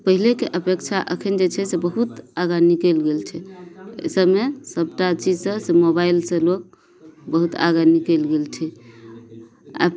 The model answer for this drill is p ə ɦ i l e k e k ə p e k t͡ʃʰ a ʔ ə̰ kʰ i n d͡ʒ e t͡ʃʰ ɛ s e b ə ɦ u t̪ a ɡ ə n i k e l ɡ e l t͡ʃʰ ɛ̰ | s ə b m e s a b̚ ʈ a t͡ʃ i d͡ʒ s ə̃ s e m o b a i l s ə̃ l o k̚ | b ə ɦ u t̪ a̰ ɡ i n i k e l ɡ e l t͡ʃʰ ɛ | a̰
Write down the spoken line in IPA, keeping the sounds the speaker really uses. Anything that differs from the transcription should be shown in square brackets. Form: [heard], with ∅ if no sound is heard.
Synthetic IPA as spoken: p ə ɦ i l e k e [ʔ] ə p e k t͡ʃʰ a ʔ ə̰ kʰ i n d͡ʒ e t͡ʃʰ ɛ s e b ə ɦ u t̪ a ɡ [a] n i k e l ɡ e l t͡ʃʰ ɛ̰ | s ə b m e s [ə] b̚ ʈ a t͡ʃ i d͡ʒ s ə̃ s e m o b a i l s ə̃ l o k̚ | b ə ɦ u t̪ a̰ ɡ [a] n i k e l ɡ e l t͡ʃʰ ɛ | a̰